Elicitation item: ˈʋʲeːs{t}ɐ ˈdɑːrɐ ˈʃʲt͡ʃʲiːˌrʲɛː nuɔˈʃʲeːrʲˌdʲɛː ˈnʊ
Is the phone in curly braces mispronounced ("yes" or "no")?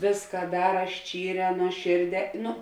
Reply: yes